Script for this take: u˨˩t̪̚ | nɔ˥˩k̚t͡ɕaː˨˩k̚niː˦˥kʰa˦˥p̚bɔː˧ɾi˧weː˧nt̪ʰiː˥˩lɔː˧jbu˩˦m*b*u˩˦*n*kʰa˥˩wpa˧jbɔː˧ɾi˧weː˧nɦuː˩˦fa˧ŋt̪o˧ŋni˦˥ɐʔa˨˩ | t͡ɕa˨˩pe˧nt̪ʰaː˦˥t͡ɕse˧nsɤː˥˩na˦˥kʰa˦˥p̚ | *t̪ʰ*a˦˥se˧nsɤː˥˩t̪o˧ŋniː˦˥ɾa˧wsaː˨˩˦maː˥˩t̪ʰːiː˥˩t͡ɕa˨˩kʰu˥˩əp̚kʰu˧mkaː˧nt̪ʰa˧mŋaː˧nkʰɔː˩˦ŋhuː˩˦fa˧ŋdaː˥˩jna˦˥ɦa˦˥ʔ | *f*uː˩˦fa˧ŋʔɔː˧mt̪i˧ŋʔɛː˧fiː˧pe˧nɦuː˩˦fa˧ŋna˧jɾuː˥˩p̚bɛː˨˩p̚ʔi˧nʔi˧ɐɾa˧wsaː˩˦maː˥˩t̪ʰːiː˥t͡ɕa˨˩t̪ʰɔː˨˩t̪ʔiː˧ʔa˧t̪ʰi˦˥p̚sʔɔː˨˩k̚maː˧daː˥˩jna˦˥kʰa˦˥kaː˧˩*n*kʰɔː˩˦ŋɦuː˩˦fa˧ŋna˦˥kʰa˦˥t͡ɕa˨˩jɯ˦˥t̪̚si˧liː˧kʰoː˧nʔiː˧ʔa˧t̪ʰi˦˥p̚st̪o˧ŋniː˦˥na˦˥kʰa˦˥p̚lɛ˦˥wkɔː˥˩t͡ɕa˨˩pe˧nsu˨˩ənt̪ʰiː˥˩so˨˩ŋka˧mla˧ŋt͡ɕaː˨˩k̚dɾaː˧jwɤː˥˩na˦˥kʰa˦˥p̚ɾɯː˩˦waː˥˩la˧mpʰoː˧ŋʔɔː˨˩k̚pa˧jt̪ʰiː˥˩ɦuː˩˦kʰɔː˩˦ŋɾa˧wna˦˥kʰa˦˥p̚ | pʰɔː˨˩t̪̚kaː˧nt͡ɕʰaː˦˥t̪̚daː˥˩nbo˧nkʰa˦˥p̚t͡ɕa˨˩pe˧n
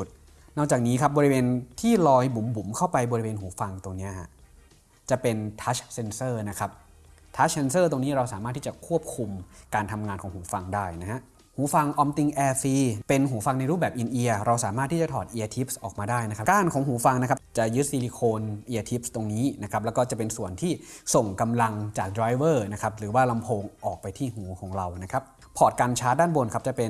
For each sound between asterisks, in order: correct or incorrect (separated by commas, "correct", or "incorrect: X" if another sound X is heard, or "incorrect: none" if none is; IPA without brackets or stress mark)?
correct, incorrect: m, correct, incorrect: h, correct